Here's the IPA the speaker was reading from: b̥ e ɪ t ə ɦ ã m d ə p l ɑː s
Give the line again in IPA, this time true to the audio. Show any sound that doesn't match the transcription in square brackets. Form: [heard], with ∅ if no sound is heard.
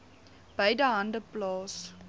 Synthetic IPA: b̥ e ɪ [d] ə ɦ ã [n] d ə p l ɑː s